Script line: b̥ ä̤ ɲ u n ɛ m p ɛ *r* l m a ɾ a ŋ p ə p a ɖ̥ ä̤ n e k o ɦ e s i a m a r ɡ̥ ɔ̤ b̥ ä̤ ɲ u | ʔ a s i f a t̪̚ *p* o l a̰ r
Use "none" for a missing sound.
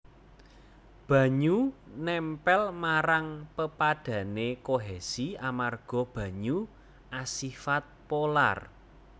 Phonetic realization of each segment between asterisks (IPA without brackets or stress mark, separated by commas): none, p